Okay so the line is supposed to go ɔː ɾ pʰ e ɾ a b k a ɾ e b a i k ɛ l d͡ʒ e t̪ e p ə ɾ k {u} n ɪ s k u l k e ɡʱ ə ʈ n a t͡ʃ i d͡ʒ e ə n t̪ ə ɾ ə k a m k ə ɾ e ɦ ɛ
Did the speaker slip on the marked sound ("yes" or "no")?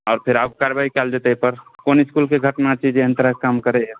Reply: yes